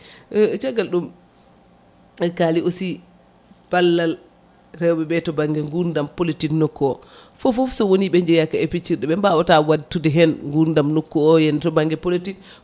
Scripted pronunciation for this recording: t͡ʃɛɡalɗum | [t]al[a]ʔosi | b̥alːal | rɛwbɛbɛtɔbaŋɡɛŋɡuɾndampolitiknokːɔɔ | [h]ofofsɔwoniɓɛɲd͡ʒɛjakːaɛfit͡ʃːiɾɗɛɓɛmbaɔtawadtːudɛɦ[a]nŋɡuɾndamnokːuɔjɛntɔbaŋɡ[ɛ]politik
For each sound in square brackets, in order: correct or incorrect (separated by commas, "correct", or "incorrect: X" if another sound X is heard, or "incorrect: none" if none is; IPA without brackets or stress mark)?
incorrect: k, incorrect: i, incorrect: f, incorrect: ɛ, correct